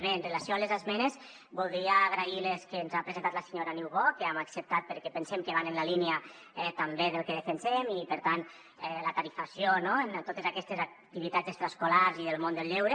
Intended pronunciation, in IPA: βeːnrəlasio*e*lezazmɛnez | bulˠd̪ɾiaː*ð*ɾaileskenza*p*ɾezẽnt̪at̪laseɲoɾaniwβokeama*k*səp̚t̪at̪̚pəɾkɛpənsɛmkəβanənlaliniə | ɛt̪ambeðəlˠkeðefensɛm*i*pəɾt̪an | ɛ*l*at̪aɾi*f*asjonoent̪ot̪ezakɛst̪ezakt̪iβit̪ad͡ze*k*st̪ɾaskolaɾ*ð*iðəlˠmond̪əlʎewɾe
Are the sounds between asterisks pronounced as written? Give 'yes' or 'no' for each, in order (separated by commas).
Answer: no, no, yes, yes, yes, yes, yes, yes, no